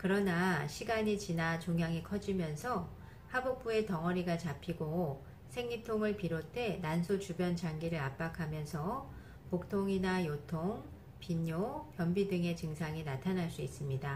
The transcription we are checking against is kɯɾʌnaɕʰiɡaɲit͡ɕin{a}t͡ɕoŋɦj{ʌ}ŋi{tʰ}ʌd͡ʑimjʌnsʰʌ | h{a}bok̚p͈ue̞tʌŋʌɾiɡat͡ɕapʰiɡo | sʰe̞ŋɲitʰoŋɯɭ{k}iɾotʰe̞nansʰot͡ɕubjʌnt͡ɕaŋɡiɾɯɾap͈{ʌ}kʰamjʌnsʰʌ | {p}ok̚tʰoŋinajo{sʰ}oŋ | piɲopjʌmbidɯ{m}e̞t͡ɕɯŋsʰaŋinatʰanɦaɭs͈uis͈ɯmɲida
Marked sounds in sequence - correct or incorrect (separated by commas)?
correct, incorrect, incorrect, correct, incorrect, incorrect, correct, incorrect, incorrect